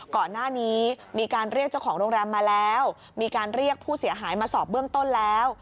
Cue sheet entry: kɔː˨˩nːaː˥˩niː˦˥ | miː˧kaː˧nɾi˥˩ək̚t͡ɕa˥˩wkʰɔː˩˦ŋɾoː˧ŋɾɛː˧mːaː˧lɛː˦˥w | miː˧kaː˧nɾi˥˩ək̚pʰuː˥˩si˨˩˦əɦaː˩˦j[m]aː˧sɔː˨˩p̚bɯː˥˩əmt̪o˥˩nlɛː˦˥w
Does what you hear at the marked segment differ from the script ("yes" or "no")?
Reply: no